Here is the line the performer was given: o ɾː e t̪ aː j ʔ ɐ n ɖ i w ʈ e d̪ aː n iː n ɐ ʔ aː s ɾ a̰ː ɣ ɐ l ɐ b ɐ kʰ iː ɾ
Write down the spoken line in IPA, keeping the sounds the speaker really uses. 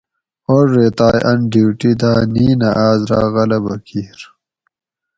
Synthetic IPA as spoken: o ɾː e t̪ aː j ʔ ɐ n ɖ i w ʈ i d̪ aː n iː n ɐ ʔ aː z ɾ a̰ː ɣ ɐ l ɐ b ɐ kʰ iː ɾ